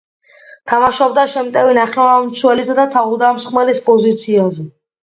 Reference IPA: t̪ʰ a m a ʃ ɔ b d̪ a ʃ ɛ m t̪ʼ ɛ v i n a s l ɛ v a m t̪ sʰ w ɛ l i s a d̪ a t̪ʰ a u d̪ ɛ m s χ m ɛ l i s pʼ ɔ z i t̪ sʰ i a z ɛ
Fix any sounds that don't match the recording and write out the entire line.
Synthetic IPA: t̪ʰ a m a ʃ ɔ b d̪ a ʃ ɛ m t̪ʼ ɛ v i n a χ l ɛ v a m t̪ sʰ w ɛ l i s a d̪ a t̪ʰ a u d̪ a m s χ m ɛ l i s pʼ ɔ z i t̪ sʰ i a z ɛ